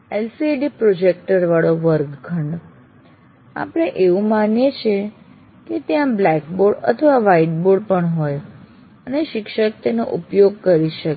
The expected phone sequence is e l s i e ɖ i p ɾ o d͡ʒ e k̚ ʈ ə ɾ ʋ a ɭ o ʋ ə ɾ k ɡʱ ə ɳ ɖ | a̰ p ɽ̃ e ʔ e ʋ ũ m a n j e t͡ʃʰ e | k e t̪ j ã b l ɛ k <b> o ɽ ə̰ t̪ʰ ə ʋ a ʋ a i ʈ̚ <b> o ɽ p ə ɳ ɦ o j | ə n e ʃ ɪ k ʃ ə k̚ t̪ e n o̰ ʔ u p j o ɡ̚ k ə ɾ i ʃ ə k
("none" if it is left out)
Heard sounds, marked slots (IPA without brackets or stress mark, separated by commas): b, b